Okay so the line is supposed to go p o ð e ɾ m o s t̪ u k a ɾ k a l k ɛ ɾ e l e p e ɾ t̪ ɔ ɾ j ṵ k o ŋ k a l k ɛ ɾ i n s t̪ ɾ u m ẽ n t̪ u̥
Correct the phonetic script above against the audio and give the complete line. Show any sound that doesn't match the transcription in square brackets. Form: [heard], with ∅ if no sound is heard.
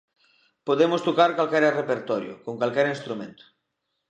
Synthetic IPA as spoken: p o ð e [∅] m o s t̪ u k a ɾ k a l k ɛ ɾ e [r] e p e ɾ t̪ ɔ ɾ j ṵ k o ŋ k a l k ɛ ɾ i n s t̪ ɾ u m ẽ n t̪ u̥

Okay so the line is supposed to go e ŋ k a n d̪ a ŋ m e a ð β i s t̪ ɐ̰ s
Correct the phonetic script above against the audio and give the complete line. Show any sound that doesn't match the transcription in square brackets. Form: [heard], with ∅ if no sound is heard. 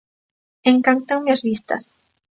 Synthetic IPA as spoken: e ŋ k a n [t̪] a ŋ m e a [z] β i s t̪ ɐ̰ s

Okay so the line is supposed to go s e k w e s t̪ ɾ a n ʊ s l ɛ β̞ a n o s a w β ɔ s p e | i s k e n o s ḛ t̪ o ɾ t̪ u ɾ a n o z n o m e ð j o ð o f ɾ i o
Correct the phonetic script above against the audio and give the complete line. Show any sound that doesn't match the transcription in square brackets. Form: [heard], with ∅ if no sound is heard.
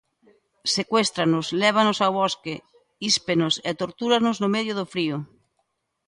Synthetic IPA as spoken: s e k w e s t̪ ɾ a n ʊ s l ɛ β̞ a n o s a w β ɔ s [k] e | i s [p] e n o s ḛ t̪ o ɾ t̪ u ɾ a n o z n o m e ð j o ð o f ɾ i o

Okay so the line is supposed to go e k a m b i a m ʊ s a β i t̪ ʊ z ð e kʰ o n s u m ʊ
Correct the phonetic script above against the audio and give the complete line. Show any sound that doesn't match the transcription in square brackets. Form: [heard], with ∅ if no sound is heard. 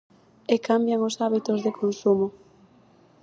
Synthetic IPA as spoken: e k a m b [j] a [ŋ] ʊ s a β i t̪ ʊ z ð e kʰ o n s u m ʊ

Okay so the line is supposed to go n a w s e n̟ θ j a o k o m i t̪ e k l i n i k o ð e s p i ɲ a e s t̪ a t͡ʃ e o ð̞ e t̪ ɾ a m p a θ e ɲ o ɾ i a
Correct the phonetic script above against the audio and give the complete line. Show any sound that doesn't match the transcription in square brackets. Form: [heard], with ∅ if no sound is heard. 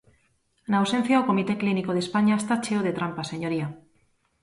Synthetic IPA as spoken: n a w s e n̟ θ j a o k o m i t̪ e k l i n i k o ð e s p [a] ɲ a e s t̪ a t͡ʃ e o ð̞ e t̪ ɾ a m p a [s] e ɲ o ɾ i a

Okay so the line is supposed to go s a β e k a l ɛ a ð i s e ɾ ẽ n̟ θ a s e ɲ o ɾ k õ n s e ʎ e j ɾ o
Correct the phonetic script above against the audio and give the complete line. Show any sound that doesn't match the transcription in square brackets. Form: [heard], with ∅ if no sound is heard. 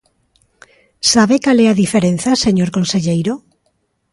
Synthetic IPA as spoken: s a β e k a l ɛ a ð i [f] e ɾ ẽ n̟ θ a s e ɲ o ɾ k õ n s e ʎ e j ɾ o

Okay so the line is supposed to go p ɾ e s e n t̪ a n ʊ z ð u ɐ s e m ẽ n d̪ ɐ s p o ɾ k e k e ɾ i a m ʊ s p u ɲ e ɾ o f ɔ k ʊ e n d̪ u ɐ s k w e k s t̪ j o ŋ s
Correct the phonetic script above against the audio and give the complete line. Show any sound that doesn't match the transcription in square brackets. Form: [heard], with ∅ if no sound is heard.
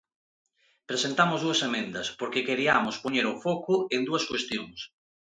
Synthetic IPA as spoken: p ɾ e s e n t̪ a [m] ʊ z ð u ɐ s e m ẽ n d̪ ɐ s p o ɾ k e k e ɾ i a m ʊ s p [o] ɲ e ɾ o f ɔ k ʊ e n d̪ u ɐ s k w e [∅] s t̪ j o ŋ s

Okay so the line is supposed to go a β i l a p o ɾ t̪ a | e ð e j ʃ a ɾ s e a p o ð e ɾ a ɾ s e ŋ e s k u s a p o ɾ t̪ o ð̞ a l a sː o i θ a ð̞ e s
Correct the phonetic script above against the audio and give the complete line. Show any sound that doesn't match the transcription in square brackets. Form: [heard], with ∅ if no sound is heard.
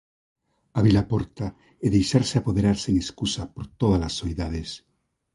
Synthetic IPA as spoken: a β i l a p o ɾ t̪ a | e ð e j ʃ a ɾ s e a p o ð e ɾ a ɾ s e ŋ e s k u s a p o ɾ t̪ o ð̞ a l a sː o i [ð] a ð̞ e s

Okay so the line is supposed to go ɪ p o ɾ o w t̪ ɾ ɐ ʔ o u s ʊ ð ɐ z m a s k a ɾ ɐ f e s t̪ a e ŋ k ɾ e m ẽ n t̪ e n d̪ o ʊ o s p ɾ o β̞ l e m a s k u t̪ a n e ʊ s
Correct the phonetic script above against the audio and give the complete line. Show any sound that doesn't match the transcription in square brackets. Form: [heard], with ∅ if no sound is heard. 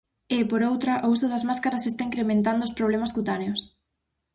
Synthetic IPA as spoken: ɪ p o ɾ o w t̪ ɾ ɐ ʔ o u s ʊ ð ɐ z m a s k a ɾ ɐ [s] e s t̪ a [i] ŋ k ɾ e m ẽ n t̪ [a] n d̪ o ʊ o s p ɾ o β̞ l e m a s k u t̪ a n e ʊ s

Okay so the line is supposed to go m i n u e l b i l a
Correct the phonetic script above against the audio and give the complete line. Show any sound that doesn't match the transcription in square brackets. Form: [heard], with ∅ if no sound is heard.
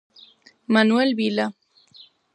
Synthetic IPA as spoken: m [a] n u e l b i l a

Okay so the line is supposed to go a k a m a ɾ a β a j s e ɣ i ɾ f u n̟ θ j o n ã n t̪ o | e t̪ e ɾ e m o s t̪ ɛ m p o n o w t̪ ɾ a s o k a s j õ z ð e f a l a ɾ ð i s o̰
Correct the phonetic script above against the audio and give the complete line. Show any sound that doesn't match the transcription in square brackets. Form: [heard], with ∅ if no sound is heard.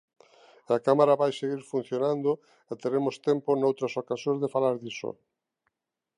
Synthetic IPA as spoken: a k a m a ɾ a β a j s e ɣ i ɾ f u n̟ θ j o n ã n [d̪] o | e t̪ e ɾ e m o s t̪ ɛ m p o n o w t̪ ɾ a s o k a s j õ z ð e f a l a ɾ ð i s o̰

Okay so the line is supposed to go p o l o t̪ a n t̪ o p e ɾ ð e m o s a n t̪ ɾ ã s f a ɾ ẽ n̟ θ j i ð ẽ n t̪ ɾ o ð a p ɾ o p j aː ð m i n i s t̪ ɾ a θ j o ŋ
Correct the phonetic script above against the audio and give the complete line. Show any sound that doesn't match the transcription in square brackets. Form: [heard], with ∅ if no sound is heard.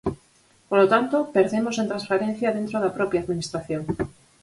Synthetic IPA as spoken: p o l o t̪ a n t̪ o p e ɾ ð e m o s [e] n t̪ ɾ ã s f a ɾ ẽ n̟ θ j [a] ð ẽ n t̪ ɾ o ð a p ɾ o p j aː ð m i n i s t̪ ɾ a θ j o ŋ

